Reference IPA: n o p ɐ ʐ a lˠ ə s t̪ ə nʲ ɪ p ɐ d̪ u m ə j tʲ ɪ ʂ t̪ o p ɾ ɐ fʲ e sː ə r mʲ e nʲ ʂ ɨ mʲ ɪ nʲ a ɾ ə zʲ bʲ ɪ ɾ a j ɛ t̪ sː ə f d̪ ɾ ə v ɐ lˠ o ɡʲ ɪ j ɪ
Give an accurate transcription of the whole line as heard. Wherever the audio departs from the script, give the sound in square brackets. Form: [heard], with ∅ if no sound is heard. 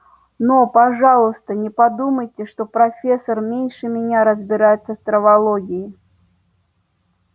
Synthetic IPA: n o p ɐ ʐ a lˠ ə s t̪ ə nʲ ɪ p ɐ d̪ u m ə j tʲ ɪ ʂ t̪ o p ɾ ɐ fʲ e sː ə r mʲ e nʲ ʂ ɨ mʲ ɪ nʲ a ɾ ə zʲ bʲ ɪ ɾ a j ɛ t̪ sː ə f [t̪] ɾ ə v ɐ lˠ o ɡʲ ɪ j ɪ